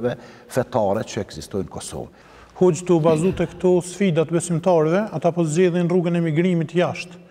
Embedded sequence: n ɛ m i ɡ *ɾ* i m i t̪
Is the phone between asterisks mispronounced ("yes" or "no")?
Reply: no